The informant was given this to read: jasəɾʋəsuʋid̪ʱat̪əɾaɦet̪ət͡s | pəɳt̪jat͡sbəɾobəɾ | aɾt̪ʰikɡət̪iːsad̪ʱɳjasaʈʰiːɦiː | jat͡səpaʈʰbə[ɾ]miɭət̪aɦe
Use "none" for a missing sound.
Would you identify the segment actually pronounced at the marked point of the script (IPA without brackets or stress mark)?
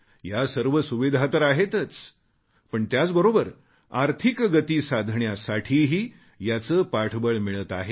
ɭ